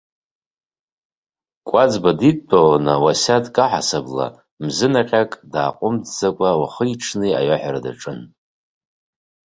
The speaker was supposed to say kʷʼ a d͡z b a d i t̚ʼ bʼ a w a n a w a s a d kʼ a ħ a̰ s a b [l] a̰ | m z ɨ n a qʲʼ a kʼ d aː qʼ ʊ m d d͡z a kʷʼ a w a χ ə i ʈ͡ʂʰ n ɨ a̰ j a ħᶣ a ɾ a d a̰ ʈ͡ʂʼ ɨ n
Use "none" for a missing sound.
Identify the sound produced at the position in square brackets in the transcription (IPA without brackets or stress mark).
l